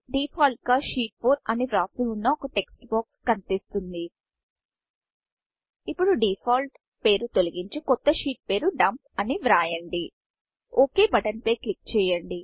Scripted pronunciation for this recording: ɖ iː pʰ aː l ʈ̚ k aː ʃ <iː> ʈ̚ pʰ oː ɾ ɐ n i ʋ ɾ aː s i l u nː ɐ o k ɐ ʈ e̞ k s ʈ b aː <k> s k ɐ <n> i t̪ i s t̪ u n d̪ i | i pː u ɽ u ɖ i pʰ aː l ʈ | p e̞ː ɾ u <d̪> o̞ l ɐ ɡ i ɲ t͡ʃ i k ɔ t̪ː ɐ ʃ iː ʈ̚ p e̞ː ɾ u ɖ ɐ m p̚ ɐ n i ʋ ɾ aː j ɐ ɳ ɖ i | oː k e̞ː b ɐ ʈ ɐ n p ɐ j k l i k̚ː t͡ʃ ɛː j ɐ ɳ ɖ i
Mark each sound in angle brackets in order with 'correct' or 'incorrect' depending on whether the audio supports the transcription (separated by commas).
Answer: correct, correct, correct, incorrect